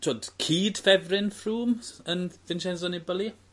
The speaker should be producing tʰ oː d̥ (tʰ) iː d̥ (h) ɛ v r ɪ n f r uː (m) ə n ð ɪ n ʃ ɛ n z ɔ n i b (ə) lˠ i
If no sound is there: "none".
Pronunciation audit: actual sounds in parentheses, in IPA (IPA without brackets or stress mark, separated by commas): kʰ, f, m, ə